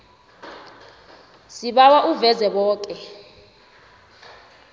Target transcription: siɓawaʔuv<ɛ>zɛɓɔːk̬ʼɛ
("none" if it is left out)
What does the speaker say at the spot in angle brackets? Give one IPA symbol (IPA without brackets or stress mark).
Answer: ɛ